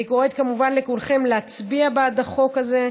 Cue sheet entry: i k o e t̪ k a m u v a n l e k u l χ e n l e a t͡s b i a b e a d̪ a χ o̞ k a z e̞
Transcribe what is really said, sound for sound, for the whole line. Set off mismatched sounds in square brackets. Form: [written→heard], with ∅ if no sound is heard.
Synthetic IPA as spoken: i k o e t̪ k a m u v a n l e k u l χ e [n→m] l e a t͡s b i a b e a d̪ a χ o̞ k a z e̞